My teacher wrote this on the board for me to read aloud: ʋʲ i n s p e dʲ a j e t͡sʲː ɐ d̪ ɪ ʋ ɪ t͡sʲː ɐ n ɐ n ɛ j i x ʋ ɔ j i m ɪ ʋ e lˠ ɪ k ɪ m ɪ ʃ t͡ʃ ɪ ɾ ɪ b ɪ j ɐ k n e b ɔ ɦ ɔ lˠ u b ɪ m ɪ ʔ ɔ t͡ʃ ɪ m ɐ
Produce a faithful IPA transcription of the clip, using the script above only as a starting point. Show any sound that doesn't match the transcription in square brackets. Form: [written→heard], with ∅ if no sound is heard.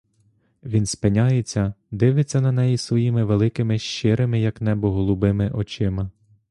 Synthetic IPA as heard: ʋʲ i n s p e [dʲ→nʲ] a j e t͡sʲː ɐ d̪ ɪ ʋ ɪ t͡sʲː ɐ n ɐ n ɛ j i [x→s] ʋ ɔ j i m ɪ ʋ e lˠ ɪ k ɪ m ɪ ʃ t͡ʃ ɪ ɾ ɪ [b→m] ɪ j ɐ k n [e→ɛ] b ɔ ɦ ɔ lˠ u b ɪ m ɪ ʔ ɔ t͡ʃ ɪ m ɐ

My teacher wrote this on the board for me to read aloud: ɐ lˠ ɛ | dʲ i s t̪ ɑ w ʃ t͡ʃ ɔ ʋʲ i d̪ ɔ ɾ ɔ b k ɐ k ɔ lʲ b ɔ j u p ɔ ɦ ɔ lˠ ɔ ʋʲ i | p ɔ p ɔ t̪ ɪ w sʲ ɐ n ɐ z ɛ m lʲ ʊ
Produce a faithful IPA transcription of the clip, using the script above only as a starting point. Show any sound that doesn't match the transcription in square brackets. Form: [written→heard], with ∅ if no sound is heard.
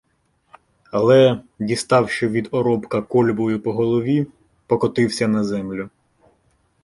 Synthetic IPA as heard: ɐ lˠ ɛ | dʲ i s t̪ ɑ w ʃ t͡ʃ ɔ ʋʲ i d̪ ɔ ɾ ɔ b k ɐ k ɔ lʲ b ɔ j [u→ʊ] p ɔ ɦ ɔ lˠ ɔ ʋʲ i | p ɔ [p→k] ɔ t̪ ɪ w sʲ ɐ n ɐ z ɛ m lʲ ʊ

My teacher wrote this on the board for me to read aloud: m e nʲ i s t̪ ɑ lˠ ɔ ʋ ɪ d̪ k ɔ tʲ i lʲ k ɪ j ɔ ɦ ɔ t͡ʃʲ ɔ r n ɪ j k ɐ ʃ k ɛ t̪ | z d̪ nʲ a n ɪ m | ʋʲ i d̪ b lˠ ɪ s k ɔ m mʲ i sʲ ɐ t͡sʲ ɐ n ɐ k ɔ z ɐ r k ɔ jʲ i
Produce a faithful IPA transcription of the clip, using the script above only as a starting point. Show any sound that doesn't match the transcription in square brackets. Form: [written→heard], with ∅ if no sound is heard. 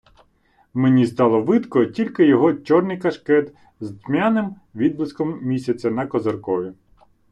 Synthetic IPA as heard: m e nʲ i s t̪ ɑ lˠ ɔ ʋ ɪ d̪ k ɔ tʲ i lʲ k ɪ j ɔ ɦ ɔ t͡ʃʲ ɔ r n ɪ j k ɐ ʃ k ɛ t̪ | z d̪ [nʲ→mʲ] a n ɪ m | ʋʲ i d̪ b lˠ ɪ s k ɔ m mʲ i sʲ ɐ t͡sʲ ɐ n ɐ k ɔ z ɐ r k ɔ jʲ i

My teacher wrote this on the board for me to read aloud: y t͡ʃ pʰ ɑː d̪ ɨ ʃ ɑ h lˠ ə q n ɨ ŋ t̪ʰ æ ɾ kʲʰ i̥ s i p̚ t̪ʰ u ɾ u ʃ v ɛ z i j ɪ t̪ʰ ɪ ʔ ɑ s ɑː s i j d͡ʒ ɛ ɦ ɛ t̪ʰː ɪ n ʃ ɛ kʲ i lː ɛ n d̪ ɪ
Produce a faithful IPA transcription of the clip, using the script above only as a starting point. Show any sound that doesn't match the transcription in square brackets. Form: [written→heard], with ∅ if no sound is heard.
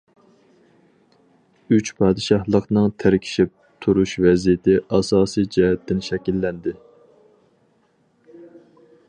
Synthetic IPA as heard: y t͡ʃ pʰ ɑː d̪ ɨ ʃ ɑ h lˠ ə q n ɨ ŋ t̪ʰ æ ɾ kʲʰ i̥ [s→ʃ] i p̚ t̪ʰ u ɾ u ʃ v ɛ z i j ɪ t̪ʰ ɪ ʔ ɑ s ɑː s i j d͡ʒ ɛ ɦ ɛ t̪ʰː ɪ n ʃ ɛ kʲ i lː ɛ n d̪ ɪ

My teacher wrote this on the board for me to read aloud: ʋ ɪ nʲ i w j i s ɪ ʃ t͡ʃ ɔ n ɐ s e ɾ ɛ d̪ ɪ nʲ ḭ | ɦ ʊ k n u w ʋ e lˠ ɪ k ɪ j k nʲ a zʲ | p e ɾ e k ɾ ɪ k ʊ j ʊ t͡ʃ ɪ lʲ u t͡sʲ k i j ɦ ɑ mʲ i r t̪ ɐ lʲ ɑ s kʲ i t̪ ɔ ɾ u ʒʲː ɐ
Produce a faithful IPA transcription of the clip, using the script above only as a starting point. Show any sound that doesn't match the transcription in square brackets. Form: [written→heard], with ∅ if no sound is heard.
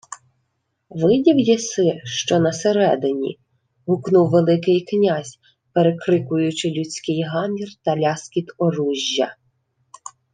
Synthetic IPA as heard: ʋ ɪ [nʲ→dʲ] i w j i s ɪ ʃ t͡ʃ ɔ n ɐ s e ɾ ɛ d̪ ɪ nʲ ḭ | ɦ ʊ k n u w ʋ e lˠ ɪ k ɪ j k nʲ a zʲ | p e ɾ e k ɾ ɪ k ʊ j ʊ t͡ʃ ɪ lʲ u t͡sʲ k [i→ɪ] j ɦ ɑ mʲ i r t̪ ɐ lʲ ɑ s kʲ i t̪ ɔ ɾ u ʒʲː ɐ

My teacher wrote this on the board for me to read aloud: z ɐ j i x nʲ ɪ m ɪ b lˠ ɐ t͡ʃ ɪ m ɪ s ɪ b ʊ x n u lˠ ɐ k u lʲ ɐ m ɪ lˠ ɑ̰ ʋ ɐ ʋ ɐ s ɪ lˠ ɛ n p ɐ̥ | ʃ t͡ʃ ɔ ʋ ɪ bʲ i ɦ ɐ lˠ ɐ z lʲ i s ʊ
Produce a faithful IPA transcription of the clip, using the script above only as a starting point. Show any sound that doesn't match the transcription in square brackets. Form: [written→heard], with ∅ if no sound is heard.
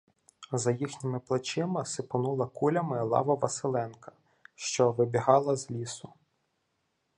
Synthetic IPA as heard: z ɐ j i x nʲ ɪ m ɪ [b→p] lˠ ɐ t͡ʃ ɪ m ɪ s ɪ [b→p] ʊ [x→∅] n u lˠ ɐ k u lʲ ɐ m ɪ lˠ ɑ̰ ʋ ɐ ʋ ɐ s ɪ lˠ ɛ n [p→k] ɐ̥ | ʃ t͡ʃ ɔ ʋ ɪ bʲ i ɦ [ɐ→ɑ] lˠ ɐ z lʲ i s ʊ

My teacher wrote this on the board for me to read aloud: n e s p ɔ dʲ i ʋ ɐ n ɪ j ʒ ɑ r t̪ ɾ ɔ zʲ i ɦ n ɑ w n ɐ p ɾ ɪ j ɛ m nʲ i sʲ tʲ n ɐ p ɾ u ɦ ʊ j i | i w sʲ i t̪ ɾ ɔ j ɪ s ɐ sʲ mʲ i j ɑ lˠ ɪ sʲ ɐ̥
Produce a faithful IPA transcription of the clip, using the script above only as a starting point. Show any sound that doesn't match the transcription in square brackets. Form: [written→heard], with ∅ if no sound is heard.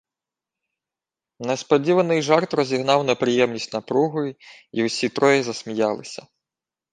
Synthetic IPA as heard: n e s p ɔ dʲ i ʋ ɐ n ɪ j ʒ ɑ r t̪ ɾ ɔ zʲ i ɦ n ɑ w n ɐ p ɾ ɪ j ɛ m nʲ i sʲ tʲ n ɐ p ɾ u ɦ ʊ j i | i w sʲ i t̪ ɾ ɔ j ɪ [s→z] ɐ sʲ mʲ i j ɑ lˠ ɪ sʲ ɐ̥

